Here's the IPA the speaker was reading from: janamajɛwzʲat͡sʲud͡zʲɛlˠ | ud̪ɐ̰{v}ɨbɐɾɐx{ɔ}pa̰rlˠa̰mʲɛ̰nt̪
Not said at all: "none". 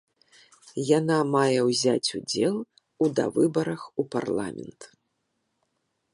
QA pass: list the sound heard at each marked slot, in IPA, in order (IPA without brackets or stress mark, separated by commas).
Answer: v, u